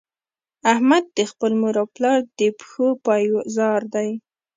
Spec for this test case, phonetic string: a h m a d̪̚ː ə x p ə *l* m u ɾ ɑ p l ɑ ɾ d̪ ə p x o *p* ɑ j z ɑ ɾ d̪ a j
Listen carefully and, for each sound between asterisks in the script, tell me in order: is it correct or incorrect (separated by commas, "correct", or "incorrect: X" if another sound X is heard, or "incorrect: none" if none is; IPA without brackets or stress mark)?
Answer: correct, correct